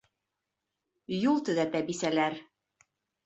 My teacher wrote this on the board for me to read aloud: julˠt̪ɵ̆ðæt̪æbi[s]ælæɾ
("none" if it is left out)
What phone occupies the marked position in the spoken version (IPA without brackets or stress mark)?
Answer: s